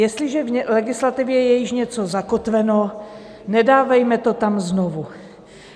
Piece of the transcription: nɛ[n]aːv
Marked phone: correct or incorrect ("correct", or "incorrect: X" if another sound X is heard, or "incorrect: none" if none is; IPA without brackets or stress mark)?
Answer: incorrect: d